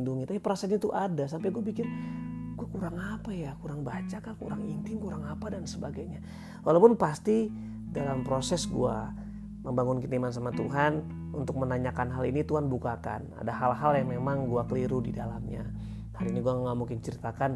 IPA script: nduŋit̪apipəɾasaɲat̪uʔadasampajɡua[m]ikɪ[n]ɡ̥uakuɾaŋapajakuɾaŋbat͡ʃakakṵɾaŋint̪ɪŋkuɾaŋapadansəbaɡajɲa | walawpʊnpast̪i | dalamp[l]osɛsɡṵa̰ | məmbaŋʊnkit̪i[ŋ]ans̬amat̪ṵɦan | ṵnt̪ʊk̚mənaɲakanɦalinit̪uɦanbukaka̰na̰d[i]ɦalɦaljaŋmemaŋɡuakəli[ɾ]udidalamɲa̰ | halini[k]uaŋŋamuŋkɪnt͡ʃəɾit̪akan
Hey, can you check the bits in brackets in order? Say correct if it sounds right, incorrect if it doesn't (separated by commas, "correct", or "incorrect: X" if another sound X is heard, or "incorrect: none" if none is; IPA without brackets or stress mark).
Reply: incorrect: b, correct, incorrect: ɾ, incorrect: m, incorrect: a, correct, incorrect: ɡ